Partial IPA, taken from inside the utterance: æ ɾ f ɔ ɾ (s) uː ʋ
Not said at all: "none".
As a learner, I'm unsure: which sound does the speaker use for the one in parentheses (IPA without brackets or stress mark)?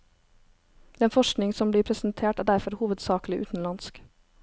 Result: h